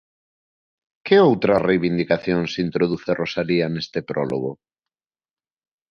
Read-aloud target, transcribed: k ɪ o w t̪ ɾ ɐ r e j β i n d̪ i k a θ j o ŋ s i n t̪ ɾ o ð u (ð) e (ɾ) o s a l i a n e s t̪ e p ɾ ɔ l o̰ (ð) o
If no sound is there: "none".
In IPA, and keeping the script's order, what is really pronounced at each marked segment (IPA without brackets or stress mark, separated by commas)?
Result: θ, r, ɣ